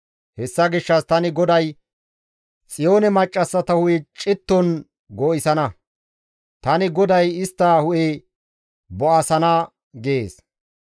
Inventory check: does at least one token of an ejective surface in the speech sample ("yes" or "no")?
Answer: yes